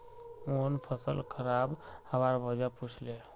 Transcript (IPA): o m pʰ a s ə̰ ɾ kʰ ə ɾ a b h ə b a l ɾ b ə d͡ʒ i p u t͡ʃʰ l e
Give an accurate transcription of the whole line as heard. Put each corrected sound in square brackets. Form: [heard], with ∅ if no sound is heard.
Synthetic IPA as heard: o [n] pʰ [ə] s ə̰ [l] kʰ ə ɾ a b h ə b a [∅] ɾ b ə d͡ʒ [a] p u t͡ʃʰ l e